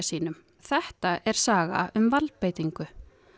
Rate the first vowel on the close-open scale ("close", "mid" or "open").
close